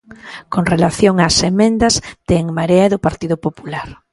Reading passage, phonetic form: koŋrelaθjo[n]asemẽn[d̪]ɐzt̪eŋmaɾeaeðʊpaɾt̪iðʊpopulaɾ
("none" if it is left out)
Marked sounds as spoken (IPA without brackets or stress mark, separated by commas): ŋ, d̪